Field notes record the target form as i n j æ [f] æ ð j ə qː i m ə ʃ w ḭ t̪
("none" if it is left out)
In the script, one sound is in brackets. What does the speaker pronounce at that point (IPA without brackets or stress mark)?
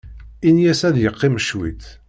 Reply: s